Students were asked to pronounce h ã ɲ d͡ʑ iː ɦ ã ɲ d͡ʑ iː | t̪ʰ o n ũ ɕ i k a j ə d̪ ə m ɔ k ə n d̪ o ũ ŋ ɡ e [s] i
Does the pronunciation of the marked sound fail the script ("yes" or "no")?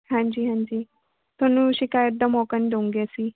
no